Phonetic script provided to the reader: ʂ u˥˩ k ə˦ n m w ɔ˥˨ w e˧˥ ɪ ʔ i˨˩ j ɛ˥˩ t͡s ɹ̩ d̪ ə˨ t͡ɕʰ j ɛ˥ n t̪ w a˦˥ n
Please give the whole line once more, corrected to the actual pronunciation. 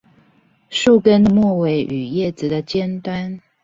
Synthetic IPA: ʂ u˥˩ k ə˦ n m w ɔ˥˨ w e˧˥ ɪ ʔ y˨˩ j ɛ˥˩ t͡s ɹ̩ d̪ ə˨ t͡ɕ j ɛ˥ n t̪ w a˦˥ n